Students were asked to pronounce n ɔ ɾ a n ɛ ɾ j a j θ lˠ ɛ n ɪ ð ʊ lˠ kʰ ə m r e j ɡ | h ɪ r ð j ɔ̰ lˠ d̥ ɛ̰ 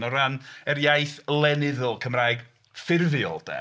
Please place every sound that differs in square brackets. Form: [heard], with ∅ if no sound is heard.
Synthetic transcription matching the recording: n ɔ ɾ a n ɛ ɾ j a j θ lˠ ɛ n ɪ ð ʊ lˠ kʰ ə m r [a] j ɡ | [f] ɪ r [v] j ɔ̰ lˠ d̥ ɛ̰

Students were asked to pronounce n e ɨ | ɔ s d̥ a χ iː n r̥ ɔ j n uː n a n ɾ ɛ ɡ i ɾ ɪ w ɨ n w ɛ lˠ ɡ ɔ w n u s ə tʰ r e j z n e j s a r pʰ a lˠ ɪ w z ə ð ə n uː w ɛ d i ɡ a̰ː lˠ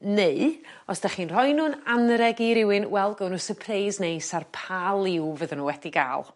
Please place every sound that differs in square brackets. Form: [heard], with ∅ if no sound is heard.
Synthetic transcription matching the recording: n e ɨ | ɔ s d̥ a χ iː n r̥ ɔ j n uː n a n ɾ ɛ ɡ i ɾ ɪ w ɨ n w ɛ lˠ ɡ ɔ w n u s ə [pʰ] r e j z n e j s a r pʰ a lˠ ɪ w [v] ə ð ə n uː w ɛ d i ɡ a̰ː lˠ

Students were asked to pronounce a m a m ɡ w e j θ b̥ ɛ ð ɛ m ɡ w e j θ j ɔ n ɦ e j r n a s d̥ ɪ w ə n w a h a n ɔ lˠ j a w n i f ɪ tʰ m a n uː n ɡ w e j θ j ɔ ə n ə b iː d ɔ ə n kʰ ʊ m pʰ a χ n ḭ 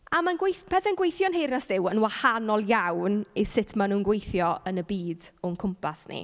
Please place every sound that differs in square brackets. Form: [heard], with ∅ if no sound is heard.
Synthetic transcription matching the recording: a m a [n] ɡ w e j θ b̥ ɛ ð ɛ [n] ɡ w e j θ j ɔ n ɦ e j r n a s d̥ ɪ w ə n w a h a n ɔ lˠ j a w n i [s] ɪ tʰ m a n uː n ɡ w e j θ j ɔ ə n ə b iː d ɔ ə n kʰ ʊ m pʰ a [s] n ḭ

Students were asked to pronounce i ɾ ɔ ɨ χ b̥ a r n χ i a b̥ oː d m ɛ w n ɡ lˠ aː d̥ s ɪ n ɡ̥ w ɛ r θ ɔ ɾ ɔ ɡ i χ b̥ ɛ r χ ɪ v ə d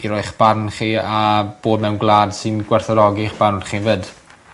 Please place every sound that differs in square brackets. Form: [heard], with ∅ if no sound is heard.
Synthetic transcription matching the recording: i ɾ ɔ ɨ χ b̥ a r n χ i a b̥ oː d m ɛ w n ɡ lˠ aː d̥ s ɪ n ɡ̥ w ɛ r θ ɔ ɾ ɔ ɡ i χ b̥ [a] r χ [i] v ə d

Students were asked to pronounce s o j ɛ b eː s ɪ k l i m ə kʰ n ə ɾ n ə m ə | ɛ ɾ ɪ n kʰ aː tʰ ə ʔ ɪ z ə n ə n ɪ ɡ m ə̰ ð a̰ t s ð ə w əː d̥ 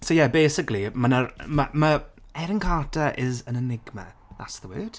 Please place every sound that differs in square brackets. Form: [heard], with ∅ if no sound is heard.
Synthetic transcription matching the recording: s o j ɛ b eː s ɪ k l i m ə [∅] n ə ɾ [m] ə m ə | ɛ ɾ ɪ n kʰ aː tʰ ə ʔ ɪ z ə n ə n ɪ ɡ m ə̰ ð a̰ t s ð ə w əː d̥

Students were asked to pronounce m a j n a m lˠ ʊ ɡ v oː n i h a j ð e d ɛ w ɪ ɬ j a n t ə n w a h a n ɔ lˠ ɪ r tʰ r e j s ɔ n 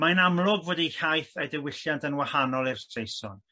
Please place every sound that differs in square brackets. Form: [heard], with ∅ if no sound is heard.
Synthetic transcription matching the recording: m a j n a m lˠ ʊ ɡ v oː [d] i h a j [θ] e d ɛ w ɪ ɬ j a n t ə n w a h a n ɔ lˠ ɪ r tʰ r e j s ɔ n

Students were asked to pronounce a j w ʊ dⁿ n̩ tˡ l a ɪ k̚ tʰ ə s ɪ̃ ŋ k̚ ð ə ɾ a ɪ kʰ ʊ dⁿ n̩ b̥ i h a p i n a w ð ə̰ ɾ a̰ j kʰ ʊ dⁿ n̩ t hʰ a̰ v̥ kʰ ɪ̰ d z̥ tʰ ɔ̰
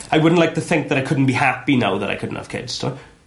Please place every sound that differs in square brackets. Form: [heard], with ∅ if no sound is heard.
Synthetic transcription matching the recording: a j w ʊ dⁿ n̩ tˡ l a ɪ k̚ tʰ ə [θ] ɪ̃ ŋ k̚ ð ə ɾ a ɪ kʰ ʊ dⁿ n̩ b̥ i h a p i n a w ð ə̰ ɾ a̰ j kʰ ʊ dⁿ n̩ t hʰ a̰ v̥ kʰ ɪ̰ d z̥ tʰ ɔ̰

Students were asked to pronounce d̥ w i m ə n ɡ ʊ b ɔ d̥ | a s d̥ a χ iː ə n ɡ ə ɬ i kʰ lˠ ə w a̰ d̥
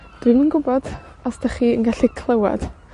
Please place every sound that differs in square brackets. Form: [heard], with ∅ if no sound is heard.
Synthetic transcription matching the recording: d̥ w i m ə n ɡ ʊ b ɔ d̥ | a s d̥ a χ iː ə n ɡ [a] ɬ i kʰ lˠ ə w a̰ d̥

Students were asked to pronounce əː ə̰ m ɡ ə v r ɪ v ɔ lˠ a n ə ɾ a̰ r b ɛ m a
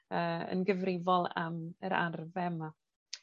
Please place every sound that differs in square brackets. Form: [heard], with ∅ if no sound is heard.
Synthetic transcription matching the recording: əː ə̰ [n] ɡ ə v r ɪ v ɔ lˠ a [m] ə ɾ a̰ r [v] ɛ m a

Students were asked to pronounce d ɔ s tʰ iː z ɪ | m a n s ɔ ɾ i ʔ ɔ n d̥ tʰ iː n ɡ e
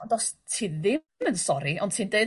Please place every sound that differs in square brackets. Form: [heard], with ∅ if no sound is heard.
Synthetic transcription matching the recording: d ɔ s tʰ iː [ð] ɪ | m [ə] n s ɔ ɾ i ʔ ɔ n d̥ tʰ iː n [d] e

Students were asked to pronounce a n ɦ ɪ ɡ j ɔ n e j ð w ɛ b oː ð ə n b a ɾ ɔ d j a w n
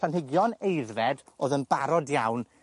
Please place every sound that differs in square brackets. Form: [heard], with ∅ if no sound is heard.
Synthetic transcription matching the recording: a n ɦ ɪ ɡ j ɔ n e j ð [v] ɛ [d] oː ð ə n b a ɾ ɔ d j a w n

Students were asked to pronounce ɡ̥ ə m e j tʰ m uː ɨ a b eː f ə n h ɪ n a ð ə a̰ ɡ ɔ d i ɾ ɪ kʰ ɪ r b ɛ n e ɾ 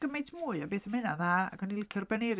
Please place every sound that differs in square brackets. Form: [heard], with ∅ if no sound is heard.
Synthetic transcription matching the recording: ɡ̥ ə m e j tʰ m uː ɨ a b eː [θ] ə [m] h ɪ n a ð [a] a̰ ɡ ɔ [n] i [l] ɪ kʰ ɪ r b ɛ n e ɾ

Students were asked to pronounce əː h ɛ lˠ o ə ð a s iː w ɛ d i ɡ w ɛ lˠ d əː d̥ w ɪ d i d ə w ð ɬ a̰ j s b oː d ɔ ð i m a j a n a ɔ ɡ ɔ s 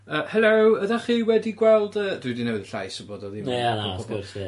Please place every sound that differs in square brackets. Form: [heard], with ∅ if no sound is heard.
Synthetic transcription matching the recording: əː h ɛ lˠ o ə ð a [χ] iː w ɛ d i ɡ w ɛ lˠ d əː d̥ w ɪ d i [n] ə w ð ɬ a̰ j s b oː d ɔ ð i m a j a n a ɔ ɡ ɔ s

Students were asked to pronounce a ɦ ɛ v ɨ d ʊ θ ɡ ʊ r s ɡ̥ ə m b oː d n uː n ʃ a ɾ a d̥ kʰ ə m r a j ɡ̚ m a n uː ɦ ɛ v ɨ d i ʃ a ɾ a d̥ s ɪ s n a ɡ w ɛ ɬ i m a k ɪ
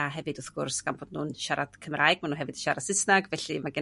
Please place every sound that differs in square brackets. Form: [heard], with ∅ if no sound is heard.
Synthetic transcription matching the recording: a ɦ ɛ v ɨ d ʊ θ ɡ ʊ r s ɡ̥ [a] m b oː d n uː n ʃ a ɾ a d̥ kʰ ə m r a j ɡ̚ m a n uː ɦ ɛ v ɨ d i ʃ a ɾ a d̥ s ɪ s n a ɡ [v] ɛ ɬ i m a [ɡ] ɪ

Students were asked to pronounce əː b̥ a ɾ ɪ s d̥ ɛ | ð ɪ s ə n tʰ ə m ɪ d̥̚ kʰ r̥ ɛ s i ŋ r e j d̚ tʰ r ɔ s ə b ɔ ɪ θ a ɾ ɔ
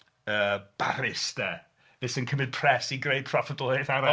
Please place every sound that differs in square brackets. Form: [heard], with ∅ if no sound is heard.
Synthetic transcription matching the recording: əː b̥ a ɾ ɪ s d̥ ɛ | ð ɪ s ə n [kʰ] ə m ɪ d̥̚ [pʰ] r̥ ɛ s i [ɡ] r e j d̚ [pʰ] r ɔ [f] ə [d] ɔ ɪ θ a ɾ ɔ

